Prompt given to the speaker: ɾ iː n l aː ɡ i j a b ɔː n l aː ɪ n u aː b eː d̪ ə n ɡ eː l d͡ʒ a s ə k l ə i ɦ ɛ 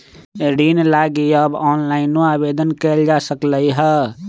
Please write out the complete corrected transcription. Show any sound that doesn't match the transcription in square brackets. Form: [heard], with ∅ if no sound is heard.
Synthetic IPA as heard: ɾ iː n l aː ɡ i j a b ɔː n l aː ɪ n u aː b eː d̪ ə n [k] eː l d͡ʒ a s ə k l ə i ɦ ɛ